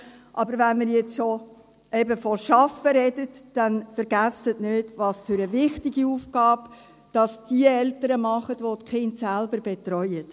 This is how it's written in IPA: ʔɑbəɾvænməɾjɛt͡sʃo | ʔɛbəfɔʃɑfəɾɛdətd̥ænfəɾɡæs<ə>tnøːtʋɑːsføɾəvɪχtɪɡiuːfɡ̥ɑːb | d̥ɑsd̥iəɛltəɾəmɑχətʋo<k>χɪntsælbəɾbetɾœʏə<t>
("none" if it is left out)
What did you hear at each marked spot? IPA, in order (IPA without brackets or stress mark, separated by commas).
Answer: ə, t, t